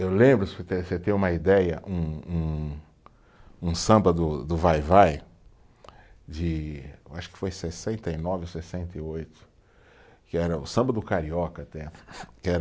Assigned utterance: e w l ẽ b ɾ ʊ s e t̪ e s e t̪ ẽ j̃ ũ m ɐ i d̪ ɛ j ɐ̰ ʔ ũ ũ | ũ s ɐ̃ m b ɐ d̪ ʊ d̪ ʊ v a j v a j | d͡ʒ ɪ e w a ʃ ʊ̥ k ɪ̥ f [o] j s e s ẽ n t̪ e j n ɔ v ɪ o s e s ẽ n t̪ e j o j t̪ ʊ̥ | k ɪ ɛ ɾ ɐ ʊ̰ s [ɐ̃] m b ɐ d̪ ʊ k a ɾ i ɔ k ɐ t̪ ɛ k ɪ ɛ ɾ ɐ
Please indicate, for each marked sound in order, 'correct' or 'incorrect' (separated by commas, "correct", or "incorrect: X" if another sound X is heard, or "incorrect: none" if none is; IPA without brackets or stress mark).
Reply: correct, correct